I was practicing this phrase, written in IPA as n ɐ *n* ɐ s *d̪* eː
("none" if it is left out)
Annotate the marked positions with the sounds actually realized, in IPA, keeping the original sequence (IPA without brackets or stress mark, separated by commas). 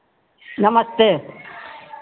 m, t̪